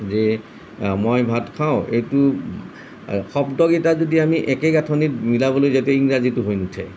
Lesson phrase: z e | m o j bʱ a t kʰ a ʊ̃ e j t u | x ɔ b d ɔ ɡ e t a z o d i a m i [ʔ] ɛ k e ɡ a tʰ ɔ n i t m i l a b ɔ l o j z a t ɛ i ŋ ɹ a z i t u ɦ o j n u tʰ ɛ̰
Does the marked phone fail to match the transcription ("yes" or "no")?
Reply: no